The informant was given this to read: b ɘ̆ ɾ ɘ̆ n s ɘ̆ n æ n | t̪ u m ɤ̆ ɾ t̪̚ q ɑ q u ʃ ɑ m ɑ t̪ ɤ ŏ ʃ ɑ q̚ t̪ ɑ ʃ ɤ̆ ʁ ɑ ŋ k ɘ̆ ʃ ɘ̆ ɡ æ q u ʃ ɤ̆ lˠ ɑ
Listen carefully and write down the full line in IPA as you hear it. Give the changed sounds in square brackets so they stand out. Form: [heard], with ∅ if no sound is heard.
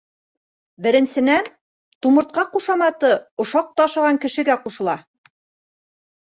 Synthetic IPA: b ɘ̆ ɾ ɘ̆ n s ɘ̆ n æ n | t̪ u m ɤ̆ ɾ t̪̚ q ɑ q u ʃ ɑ m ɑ t̪ ɤ ŏ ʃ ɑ q̚ t̪ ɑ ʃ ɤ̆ ʁ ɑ ŋ k ɘ̆ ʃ ɘ̆ ɡ æ q u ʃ ɤ̆ lˠ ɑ